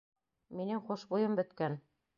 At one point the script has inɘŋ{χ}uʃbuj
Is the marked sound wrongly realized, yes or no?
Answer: no